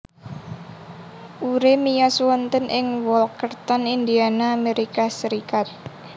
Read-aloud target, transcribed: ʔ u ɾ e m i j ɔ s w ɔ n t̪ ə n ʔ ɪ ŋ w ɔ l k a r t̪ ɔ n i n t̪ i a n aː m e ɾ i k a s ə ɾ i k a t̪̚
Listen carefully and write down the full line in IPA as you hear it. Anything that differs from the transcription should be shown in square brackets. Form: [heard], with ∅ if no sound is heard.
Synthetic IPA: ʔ u ɾ e m i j ɔ s w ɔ n t̪ ə n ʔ ɪ ŋ w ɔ l k [ə] r t̪ ɔ n i n [d̪] i a n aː m e ɾ i k a s ə ɾ i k a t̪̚